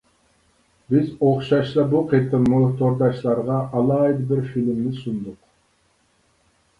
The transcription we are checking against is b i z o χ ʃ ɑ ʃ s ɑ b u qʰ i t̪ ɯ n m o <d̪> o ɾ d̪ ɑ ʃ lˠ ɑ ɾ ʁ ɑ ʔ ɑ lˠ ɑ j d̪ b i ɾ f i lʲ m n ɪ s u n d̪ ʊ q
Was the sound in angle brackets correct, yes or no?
no